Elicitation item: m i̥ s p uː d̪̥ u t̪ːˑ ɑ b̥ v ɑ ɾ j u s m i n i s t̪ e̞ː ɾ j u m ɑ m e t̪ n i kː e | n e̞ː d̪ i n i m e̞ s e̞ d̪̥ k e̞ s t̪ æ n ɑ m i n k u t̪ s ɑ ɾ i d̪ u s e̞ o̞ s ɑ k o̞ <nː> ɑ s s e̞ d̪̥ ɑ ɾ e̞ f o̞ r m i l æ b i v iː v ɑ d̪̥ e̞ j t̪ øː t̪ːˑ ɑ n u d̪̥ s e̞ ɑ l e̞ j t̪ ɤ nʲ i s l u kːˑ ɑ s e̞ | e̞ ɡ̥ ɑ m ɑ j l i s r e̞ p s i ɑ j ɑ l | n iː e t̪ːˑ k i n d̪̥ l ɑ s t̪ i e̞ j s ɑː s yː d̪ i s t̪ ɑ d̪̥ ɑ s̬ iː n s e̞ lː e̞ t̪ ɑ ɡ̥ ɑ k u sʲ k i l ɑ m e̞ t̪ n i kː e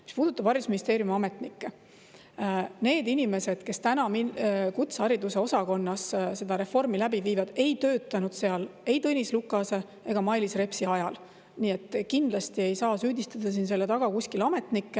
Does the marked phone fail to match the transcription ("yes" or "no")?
no